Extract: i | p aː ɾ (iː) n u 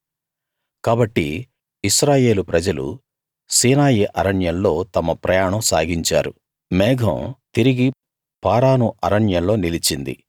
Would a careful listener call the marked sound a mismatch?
yes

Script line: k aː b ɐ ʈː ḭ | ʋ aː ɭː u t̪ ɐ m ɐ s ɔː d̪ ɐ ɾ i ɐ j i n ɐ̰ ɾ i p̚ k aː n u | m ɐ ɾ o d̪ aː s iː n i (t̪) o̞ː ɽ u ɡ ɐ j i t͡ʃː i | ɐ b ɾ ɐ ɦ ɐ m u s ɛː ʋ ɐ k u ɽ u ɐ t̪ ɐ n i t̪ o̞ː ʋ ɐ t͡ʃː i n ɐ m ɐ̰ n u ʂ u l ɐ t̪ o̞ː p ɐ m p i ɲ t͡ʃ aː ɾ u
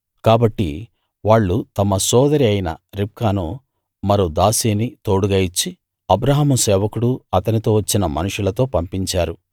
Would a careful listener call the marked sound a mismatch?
no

